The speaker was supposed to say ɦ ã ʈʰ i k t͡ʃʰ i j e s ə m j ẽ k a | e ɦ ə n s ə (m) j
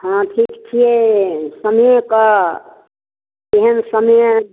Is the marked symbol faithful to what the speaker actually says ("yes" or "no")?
yes